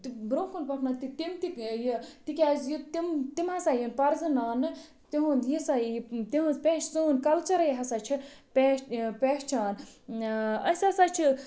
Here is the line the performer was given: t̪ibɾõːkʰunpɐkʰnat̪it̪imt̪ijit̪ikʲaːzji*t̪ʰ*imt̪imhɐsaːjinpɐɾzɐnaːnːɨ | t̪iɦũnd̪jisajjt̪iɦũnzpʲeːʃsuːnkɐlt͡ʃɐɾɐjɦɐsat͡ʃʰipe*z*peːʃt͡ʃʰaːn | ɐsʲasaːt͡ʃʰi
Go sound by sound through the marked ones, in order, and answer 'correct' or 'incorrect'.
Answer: incorrect, incorrect

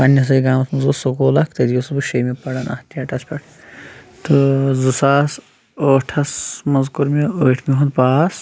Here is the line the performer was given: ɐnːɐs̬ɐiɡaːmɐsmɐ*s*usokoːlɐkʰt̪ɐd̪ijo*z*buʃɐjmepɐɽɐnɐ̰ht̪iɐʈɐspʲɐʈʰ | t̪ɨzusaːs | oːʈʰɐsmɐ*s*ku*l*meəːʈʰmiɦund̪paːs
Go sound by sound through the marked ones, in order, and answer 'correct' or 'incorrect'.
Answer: incorrect, incorrect, incorrect, incorrect

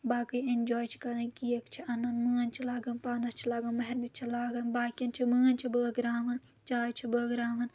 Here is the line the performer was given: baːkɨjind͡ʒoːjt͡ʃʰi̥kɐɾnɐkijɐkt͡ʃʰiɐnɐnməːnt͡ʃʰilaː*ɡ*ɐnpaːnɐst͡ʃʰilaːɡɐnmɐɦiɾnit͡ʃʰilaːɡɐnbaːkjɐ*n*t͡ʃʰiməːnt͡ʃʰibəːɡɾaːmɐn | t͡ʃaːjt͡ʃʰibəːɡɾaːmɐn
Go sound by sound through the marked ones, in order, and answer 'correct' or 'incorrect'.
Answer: correct, correct

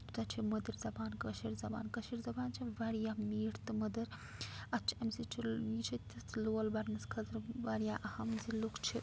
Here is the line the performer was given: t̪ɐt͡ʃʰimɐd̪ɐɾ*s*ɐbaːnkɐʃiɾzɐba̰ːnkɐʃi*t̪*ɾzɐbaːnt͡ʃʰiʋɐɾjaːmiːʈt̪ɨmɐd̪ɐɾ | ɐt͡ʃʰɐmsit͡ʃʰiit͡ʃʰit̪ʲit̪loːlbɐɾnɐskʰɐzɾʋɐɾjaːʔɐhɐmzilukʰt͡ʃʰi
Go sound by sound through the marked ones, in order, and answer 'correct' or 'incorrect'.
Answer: incorrect, incorrect

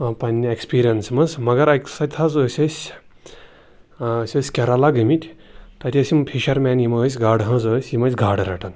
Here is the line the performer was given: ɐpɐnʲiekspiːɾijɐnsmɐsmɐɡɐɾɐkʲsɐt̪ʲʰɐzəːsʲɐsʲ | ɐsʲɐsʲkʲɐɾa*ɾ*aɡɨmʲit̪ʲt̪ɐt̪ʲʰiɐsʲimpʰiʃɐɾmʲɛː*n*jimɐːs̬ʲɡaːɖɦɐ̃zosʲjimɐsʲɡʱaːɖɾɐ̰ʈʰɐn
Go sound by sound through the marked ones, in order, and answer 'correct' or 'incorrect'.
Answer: incorrect, correct

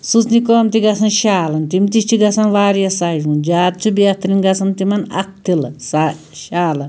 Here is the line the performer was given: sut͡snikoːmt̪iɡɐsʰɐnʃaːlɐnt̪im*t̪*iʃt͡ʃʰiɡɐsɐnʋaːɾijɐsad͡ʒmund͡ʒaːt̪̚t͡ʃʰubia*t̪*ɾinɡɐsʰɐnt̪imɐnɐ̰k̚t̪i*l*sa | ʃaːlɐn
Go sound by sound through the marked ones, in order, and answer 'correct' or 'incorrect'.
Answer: correct, correct, correct

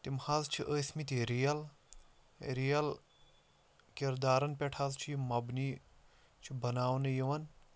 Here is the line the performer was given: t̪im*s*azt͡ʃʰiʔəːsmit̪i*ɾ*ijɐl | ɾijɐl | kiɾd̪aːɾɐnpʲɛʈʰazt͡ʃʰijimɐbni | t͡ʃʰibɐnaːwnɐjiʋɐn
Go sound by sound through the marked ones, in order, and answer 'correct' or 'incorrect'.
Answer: incorrect, correct

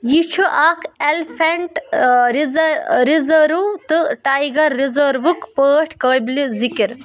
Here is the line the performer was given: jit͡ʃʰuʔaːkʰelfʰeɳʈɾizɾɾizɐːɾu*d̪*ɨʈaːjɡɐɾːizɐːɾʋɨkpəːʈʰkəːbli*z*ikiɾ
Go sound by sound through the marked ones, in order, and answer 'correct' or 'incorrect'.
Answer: incorrect, correct

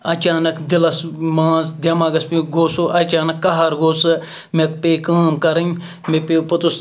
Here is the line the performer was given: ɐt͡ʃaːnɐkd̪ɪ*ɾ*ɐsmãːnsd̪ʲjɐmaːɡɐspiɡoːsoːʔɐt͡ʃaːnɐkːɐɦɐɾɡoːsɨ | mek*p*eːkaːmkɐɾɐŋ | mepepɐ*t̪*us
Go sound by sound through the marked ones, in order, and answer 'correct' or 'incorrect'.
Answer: incorrect, correct, correct

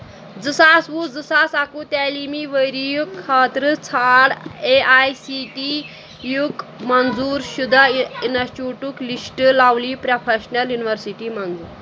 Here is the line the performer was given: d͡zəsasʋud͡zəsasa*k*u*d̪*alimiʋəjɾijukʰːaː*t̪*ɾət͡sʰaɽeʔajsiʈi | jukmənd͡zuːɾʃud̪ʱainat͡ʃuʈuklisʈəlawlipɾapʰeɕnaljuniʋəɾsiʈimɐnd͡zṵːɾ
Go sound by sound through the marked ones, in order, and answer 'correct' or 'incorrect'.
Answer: correct, incorrect, correct

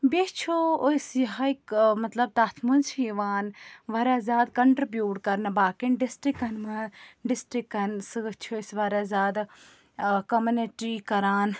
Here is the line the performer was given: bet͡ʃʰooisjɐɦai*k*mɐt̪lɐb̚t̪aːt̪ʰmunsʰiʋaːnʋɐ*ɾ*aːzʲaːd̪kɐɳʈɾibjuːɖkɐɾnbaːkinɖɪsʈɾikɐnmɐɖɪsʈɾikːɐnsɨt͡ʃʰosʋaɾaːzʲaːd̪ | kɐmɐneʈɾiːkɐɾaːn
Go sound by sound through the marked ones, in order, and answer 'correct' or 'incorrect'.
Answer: correct, correct

